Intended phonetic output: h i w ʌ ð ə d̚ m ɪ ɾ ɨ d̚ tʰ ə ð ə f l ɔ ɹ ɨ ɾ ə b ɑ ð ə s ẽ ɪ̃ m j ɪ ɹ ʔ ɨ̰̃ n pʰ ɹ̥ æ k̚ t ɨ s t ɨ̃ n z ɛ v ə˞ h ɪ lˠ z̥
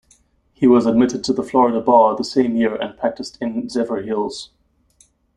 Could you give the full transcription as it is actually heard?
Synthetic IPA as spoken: h i w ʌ z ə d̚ m ɪ ɾ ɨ d̚ tʰ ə ð ə f l ɔ ɹ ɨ ɾ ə b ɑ ð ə s ẽ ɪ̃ m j ɪ ɹ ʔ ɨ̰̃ n pʰ ɹ̥ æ k̚ t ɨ s t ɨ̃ n z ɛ v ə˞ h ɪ lˠ z̥

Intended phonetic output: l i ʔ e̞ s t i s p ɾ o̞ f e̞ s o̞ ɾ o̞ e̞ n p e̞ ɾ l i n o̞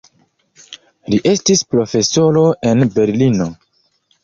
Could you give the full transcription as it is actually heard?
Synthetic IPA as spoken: l i ʔ e̞ s t i s p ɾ o̞ f e̞ s o̞ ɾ o̞ e̞ n b e̞ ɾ l i n o̞

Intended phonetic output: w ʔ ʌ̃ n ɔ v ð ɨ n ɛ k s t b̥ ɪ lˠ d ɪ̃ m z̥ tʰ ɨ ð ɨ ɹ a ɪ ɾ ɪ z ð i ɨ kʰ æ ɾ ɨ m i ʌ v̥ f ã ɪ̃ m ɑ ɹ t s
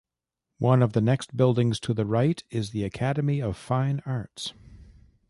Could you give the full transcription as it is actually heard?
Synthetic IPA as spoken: w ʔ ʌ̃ n ʌ v ð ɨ n ɛ k s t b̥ ɪ lˠ d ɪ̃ ŋ z̥ tʰ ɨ ð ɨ ɹ a ɪ ɾ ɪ z ð i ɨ kʰ æ ɾ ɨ m i ʌ v̥ f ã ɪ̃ n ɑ ɹ t s

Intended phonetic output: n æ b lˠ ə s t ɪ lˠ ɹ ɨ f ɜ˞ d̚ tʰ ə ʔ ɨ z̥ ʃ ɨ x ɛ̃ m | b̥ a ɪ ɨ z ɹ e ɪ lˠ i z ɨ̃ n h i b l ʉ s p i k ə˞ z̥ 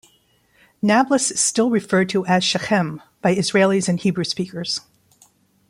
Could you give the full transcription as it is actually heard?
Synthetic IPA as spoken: n æ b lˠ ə s t ɪ lˠ ɹ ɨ f ɜ˞ d̚ tʰ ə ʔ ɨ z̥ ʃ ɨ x ɛ̃ m | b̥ a ɪ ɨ z ɹ e ɪ lˠ i z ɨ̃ n h i b ɹ ʉ s p i k ə˞ z̥

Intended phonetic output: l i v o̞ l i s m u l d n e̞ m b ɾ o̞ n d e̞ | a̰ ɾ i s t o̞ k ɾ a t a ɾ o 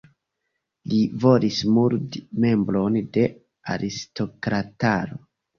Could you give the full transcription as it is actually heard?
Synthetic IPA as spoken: l i v o̞ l i s m u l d m e̞ m b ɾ o̞ n d e̞ | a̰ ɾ i s t o̞ k ɾ a t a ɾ o

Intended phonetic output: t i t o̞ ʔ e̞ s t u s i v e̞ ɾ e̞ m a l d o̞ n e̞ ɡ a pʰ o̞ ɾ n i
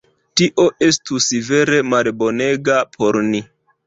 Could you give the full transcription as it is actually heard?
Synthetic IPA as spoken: t i ʔ o̞ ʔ e̞ s t u s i v e̞ ɾ e̞ m a l b o̞ n e̞ ɡ a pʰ o̞ ɾ n i

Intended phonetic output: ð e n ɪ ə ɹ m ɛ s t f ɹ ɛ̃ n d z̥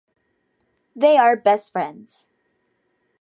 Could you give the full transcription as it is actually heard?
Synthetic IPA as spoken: ð e ɪ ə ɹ b ɛ s t f ɹ ɛ̃ n d z̥

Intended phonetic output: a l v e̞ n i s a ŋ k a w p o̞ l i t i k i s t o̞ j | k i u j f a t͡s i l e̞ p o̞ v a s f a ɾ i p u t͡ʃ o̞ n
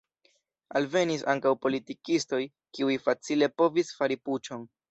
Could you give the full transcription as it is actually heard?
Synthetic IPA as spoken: a l v e̞ n i s a ŋ k a w p o̞ l i t i k i s t o̞ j | k i u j f a t͡s i l e̞ p o̞ v i s f a ɾ i p u t͡ʃ o̞ n

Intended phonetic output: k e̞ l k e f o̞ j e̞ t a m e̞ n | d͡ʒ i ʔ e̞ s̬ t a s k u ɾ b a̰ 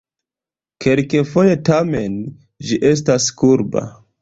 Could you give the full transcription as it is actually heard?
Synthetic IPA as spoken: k e̞ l k e f o̞ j e̞ t a m e̞ n | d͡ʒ i ʔ e̞ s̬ t a s k u ɾ b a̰

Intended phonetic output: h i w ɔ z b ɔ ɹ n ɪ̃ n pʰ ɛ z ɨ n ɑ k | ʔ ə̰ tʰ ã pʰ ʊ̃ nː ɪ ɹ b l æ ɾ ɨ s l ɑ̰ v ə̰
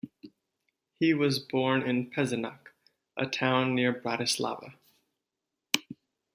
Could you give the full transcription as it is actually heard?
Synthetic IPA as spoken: h i w ʌ z b ɔ ɹ n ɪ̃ n pʰ ɛ z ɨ n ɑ k | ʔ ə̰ tʰ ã ʊ̃ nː ɪ ɹ b ɹ æ ɾ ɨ s l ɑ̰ v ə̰

